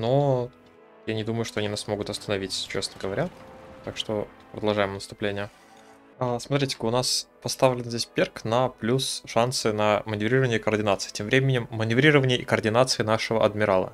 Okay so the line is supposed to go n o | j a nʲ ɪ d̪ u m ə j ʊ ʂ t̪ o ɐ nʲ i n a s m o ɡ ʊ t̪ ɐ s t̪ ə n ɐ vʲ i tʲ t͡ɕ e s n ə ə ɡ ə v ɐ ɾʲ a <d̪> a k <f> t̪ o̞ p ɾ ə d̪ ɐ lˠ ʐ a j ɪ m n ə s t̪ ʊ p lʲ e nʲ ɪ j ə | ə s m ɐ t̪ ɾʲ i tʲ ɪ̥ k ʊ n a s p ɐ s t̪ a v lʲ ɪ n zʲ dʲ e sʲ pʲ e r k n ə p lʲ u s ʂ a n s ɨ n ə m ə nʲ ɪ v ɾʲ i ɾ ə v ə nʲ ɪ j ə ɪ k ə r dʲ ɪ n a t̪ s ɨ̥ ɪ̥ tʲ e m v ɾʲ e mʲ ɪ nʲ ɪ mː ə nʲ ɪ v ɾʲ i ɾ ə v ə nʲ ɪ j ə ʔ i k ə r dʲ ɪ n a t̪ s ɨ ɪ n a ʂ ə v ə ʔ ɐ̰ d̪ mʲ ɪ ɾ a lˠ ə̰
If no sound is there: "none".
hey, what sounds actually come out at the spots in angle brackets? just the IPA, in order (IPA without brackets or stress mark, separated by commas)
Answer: t̪, ʂ